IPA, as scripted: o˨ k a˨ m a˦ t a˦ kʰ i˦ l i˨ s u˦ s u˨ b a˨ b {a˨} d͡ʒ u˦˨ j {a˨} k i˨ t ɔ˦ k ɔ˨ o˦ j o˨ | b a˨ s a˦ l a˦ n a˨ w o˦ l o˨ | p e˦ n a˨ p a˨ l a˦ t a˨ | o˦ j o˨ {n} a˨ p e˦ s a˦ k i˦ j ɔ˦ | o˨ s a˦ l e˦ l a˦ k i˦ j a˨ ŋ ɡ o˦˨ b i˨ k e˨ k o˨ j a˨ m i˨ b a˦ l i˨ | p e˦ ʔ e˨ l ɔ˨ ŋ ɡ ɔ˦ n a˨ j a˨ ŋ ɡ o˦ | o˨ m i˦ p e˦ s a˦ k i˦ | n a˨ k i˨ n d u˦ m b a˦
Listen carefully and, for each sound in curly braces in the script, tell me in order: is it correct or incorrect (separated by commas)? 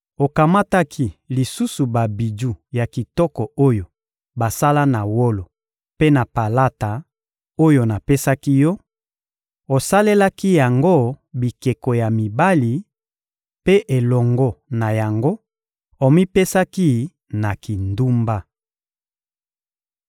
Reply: incorrect, correct, correct